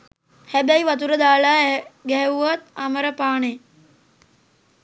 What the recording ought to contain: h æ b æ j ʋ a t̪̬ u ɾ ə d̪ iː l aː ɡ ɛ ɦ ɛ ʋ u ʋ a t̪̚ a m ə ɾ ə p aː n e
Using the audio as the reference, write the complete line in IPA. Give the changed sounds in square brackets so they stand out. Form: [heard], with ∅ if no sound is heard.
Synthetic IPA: h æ b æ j ʋ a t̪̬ u ɾ ə d̪ [aː] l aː ɡ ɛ ɦ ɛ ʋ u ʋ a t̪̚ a m ə ɾ ə p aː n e